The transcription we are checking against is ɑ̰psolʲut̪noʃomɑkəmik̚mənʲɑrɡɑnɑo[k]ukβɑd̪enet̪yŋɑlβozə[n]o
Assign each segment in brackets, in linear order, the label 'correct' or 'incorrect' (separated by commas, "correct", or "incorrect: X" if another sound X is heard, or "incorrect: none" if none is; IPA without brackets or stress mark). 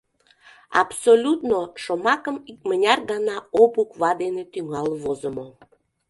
incorrect: p, incorrect: m